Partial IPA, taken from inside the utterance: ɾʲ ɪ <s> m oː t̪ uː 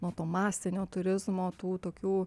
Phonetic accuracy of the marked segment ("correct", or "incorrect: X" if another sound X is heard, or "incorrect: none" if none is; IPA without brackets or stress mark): incorrect: z